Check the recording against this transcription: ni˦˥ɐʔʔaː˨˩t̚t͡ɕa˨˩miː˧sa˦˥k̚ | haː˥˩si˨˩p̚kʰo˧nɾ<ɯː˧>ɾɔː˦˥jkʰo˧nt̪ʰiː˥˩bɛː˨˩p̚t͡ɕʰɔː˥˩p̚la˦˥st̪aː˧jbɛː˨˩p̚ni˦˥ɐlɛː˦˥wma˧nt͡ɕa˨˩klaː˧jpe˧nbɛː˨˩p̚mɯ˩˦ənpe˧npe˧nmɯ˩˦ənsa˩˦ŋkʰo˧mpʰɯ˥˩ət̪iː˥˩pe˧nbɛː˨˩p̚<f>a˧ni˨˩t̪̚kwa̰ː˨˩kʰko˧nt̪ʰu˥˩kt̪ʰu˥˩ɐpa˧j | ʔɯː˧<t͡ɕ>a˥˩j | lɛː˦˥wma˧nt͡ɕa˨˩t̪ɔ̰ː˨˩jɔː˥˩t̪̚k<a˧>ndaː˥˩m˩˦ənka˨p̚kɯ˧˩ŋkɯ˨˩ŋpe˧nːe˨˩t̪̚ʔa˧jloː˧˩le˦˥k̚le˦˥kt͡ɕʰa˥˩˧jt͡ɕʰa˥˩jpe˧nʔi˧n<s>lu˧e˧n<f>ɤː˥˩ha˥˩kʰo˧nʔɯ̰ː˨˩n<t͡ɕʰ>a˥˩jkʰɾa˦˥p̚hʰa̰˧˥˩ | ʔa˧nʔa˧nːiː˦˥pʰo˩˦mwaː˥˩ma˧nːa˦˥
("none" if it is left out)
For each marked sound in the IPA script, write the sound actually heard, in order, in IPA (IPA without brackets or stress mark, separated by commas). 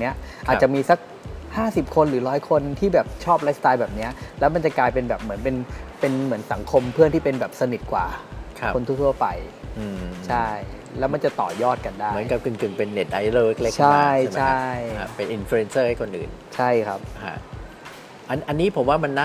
ɯː˩˦, s, t͡ɕʰ, a˧, f, s, t͡ɕʰ